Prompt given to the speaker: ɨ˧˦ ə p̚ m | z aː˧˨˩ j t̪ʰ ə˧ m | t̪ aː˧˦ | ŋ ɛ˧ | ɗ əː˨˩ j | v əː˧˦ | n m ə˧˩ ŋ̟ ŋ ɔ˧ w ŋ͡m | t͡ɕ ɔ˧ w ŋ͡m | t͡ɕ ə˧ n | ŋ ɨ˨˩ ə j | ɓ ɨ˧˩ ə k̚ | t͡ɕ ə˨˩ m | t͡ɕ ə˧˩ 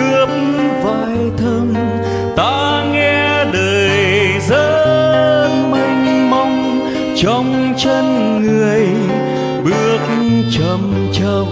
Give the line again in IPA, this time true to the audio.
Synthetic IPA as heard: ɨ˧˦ ə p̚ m | v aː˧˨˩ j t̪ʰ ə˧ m | t̪ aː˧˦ | ŋ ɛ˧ | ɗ əː˨˩ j | z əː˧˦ | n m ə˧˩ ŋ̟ m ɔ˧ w ŋ͡m | t͡ɕ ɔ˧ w ŋ͡m | t͡ɕ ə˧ n | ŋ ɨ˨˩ ə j | ɓ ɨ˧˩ ə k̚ | t͡ɕ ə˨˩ m | t͡ɕ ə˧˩

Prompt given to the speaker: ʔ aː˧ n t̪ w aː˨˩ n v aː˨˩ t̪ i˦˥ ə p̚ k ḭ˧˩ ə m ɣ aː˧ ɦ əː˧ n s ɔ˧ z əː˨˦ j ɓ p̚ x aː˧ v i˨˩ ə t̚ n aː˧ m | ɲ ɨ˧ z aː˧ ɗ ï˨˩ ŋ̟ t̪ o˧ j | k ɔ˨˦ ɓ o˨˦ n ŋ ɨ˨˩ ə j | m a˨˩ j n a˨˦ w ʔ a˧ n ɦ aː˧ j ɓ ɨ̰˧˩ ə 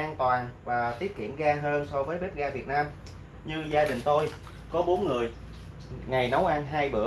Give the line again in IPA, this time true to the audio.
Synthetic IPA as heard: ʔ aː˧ n t̪ w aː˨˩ n v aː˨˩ t̪ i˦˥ ə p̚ k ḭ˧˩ ə m ɣ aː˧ ɦ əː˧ n s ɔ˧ v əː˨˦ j ɓ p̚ ɣ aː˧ v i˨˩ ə t̚ n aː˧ m | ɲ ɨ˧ z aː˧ ɗ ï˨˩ ŋ̟ t̪ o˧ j | k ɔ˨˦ ɓ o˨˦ n ŋ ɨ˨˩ ə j | ŋ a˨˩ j n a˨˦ w ʔ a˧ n ɦ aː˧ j ɓ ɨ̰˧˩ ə

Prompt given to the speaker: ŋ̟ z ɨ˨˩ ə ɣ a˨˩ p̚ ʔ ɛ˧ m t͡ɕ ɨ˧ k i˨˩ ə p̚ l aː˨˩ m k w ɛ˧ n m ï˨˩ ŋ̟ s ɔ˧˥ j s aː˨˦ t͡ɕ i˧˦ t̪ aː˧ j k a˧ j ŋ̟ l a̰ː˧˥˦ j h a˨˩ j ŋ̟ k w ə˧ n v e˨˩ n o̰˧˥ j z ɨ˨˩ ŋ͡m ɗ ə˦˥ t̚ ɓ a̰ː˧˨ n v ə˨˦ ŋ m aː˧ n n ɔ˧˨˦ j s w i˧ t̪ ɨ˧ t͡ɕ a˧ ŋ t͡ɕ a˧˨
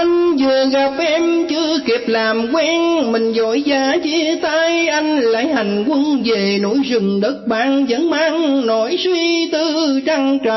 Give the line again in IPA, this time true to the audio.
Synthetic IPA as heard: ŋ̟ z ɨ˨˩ ə ɣ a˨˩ p̚ ʔ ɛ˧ m t͡ɕ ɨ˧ k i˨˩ ə p̚ l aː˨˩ m k w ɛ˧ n m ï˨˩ ŋ̟ z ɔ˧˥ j z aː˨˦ t͡ɕ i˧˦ t̪ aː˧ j ʔ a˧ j ŋ̟ l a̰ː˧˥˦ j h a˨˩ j ŋ̟ k w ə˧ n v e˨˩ n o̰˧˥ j z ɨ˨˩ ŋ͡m ɗ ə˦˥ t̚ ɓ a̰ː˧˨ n z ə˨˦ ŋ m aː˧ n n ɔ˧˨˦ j s w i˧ t̪ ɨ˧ t͡ɕ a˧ ŋ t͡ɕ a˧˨

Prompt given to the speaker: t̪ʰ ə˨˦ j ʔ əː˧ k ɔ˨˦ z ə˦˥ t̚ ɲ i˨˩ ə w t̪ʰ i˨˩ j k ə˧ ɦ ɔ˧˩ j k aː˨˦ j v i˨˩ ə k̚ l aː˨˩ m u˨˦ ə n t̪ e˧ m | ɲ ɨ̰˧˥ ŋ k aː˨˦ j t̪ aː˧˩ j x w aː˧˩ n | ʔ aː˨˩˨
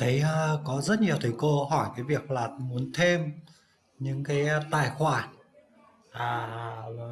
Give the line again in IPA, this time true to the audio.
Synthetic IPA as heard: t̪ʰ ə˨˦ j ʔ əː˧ k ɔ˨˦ z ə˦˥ t̚ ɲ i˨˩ ə w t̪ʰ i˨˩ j k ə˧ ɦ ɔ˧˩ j k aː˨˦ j v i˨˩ ə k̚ l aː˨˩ m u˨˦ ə n t̪ʰ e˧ m | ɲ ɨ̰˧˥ ŋ k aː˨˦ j t̪ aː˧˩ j x w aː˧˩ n | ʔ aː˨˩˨

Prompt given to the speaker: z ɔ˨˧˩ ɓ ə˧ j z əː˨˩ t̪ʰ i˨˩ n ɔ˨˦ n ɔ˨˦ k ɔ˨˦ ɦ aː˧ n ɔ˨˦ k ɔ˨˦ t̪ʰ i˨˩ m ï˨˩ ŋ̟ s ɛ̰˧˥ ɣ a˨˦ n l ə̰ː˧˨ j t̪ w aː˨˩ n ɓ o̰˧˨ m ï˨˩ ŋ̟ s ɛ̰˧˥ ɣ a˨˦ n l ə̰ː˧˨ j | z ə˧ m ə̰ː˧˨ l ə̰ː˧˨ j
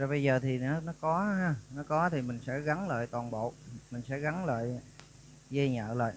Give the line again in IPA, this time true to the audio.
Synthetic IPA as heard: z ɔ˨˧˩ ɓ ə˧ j z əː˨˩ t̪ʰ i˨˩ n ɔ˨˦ n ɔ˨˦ k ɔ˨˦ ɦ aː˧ n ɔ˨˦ k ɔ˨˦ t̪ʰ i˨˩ m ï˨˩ ŋ̟ s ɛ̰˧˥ ɣ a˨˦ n l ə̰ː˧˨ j t̪ w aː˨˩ n ɓ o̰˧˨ m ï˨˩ ŋ̟ s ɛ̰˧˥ ɣ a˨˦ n l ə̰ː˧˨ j | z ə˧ ɲ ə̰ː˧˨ l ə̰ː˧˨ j

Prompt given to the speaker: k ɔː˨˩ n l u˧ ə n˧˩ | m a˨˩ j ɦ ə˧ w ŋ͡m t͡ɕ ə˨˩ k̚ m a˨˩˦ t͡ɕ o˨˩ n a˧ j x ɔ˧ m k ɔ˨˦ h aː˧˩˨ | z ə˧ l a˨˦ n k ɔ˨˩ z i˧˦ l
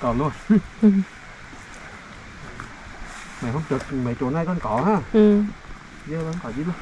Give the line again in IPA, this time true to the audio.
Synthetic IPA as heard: k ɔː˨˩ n l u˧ ə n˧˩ | m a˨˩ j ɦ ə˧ w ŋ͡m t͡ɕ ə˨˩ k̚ m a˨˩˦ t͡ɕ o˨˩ n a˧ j k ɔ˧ n k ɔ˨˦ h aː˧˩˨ | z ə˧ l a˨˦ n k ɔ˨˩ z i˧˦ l

